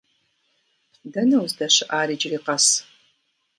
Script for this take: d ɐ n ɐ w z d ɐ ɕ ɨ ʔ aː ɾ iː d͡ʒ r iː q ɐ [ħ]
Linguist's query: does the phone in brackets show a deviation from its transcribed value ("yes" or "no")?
yes